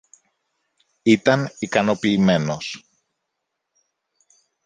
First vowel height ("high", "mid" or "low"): high